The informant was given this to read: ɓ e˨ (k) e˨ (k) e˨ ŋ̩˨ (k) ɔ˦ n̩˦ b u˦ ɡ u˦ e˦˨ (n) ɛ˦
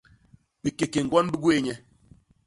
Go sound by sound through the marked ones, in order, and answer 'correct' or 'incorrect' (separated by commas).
correct, correct, incorrect, incorrect